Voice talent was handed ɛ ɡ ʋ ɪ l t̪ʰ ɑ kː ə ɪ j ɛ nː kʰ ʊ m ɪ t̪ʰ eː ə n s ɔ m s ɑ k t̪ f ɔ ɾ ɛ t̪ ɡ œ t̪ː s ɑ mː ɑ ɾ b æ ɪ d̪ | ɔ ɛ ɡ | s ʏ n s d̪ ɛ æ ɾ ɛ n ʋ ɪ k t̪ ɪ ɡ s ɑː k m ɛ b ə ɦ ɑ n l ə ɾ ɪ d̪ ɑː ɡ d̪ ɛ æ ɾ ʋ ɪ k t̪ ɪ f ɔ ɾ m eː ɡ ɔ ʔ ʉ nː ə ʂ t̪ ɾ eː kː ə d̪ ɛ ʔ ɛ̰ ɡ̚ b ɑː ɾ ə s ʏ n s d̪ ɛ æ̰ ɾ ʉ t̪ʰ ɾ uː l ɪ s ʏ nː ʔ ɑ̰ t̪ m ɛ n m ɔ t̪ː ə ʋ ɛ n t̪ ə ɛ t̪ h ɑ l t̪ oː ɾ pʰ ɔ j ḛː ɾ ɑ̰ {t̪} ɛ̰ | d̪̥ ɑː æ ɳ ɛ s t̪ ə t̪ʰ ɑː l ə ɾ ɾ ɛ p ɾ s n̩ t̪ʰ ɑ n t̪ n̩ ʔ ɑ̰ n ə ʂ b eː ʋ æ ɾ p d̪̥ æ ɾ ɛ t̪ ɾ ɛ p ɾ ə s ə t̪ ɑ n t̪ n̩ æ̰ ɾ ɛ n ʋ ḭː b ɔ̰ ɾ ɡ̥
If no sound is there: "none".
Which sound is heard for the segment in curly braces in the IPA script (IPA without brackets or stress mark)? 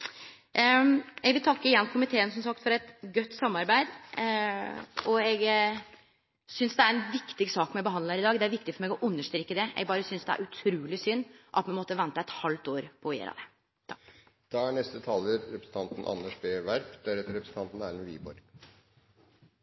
d̪